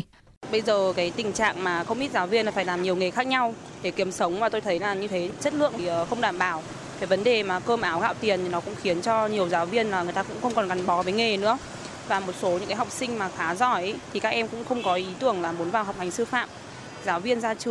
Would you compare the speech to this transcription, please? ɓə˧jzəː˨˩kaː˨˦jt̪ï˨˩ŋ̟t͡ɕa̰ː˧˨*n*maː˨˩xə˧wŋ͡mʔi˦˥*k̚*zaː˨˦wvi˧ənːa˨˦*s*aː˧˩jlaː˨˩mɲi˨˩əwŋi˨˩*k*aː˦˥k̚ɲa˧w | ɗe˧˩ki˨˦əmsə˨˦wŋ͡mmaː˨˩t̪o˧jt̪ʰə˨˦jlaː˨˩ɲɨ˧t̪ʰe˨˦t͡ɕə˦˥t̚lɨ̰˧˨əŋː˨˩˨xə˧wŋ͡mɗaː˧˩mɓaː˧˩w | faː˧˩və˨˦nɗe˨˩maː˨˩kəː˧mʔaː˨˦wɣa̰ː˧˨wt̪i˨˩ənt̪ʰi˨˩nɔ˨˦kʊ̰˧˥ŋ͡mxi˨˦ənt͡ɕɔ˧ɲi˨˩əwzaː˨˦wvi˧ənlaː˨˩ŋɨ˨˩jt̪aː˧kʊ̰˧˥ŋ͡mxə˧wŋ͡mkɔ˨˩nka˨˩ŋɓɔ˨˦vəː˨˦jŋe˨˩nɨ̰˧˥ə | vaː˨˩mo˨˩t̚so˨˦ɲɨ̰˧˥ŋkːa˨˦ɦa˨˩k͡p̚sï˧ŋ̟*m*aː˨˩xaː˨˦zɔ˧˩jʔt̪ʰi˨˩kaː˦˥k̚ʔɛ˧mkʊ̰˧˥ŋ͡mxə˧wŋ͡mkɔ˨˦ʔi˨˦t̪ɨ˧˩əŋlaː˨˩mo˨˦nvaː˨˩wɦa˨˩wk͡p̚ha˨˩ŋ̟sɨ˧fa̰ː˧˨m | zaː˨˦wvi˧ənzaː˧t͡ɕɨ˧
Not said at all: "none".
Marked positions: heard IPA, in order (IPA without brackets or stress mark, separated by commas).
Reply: ŋ, t̚, f, x, m